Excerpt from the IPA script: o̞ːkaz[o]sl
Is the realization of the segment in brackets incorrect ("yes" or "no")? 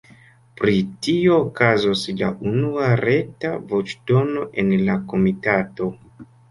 no